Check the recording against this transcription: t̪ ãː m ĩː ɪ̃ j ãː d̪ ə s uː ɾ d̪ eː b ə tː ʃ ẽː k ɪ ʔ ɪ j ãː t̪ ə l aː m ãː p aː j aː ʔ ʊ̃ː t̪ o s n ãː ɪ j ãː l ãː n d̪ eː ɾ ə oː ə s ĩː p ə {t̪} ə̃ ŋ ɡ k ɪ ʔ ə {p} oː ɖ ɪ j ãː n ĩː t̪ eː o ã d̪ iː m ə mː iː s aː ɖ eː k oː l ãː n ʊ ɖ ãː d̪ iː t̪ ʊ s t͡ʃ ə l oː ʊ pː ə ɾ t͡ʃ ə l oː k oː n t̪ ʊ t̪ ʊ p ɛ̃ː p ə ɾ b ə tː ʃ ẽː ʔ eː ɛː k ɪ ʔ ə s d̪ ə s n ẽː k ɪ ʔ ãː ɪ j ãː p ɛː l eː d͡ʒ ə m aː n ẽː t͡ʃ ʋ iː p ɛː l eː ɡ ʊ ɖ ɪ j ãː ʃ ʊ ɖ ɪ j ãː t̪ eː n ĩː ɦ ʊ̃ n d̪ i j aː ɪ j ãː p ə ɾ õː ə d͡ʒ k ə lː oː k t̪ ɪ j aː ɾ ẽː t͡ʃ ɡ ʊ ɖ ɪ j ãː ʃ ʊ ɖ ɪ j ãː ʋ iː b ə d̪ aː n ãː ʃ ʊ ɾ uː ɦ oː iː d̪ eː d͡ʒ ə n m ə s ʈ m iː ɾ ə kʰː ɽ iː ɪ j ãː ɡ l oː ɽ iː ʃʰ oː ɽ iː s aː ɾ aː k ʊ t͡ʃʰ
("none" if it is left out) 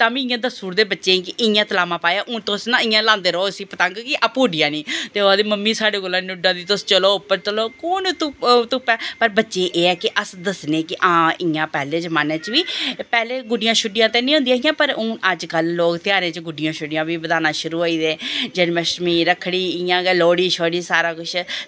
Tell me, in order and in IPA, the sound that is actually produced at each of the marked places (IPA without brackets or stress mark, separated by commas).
t̪, p